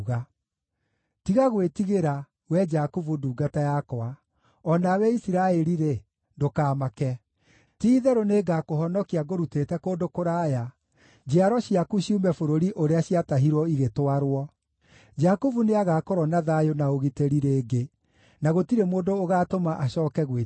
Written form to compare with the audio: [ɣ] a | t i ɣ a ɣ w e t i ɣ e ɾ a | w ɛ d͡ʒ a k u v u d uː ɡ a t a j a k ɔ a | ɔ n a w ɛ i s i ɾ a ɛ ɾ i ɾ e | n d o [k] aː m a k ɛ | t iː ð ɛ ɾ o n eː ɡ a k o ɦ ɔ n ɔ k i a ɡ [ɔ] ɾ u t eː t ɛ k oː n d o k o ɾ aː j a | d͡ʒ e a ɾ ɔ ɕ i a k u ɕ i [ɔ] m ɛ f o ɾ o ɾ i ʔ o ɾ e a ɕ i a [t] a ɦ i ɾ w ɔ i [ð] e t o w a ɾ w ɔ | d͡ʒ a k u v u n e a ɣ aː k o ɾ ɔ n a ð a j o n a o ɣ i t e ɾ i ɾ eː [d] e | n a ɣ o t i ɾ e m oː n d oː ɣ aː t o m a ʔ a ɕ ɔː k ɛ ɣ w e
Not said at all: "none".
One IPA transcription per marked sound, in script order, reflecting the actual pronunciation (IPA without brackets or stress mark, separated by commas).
ɣ, k, o, u, t, ɣ, ɡ